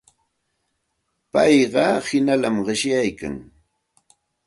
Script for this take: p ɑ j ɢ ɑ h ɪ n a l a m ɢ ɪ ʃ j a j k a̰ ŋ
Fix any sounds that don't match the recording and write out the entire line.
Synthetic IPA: p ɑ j ɢ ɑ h ɪ n a l a m ɢ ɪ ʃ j a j k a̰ ŋ

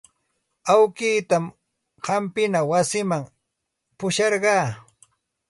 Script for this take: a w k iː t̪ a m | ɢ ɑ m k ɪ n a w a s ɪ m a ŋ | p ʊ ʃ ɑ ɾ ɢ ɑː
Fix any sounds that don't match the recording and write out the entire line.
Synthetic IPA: a w k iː t̪ a m | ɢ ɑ m p ɪ n a w a s ɪ m a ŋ | p ʊ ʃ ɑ ɾ ɢ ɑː

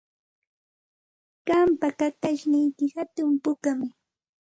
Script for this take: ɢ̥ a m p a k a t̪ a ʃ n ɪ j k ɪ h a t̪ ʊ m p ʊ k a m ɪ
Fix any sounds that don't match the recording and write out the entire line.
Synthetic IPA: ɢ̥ a m p a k a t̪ a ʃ n ɪ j k ɪ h a t̪ ʊ m p ʊ k a m ɪ

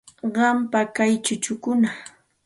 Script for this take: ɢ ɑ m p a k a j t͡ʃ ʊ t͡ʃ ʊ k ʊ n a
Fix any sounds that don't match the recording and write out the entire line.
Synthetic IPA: ɢ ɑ m p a k a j t͡ʃ ʊ t͡ʃ ʊ k ʊ n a

